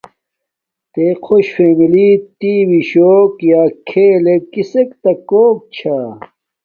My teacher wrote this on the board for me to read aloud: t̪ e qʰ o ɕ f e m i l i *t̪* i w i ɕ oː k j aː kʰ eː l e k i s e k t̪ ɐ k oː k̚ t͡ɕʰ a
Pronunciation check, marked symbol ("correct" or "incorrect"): correct